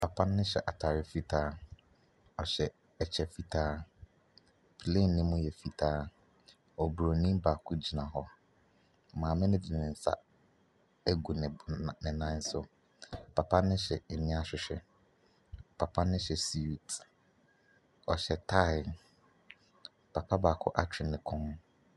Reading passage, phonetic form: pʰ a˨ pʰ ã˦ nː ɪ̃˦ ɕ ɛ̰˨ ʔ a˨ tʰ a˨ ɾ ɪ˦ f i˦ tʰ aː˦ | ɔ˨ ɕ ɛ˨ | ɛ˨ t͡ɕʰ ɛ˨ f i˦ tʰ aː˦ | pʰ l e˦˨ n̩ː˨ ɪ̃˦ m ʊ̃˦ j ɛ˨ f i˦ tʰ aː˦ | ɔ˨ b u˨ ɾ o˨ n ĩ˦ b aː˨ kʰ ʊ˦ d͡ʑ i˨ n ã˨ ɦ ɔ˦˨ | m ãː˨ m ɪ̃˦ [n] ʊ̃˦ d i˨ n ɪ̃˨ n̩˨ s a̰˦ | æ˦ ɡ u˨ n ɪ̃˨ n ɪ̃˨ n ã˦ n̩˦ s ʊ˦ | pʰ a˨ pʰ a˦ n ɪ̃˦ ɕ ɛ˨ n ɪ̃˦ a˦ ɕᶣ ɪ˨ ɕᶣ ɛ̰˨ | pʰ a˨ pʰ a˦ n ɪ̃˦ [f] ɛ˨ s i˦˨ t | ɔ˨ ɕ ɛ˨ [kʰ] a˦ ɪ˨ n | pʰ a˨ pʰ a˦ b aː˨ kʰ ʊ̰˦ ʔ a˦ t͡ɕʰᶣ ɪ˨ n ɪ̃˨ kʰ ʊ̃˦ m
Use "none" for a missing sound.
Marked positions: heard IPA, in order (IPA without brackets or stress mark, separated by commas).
n, ɕ, tʰ